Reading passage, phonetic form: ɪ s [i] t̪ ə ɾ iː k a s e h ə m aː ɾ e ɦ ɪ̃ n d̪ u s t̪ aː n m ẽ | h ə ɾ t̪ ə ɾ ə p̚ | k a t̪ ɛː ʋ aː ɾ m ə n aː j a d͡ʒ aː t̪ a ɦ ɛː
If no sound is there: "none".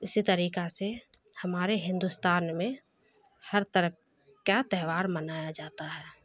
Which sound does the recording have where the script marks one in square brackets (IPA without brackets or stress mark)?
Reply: i